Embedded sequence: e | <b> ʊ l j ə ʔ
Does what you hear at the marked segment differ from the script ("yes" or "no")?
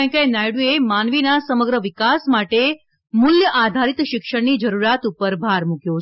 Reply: yes